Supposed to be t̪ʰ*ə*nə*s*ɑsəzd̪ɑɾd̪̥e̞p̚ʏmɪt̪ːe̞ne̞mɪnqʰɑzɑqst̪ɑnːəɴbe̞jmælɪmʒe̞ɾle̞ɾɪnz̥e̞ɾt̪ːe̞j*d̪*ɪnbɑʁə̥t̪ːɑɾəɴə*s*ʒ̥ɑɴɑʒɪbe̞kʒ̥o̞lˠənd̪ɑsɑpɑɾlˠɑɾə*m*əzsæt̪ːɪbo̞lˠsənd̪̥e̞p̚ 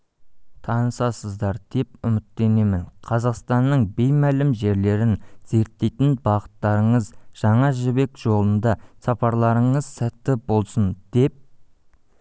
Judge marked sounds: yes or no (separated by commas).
no, yes, no, no, no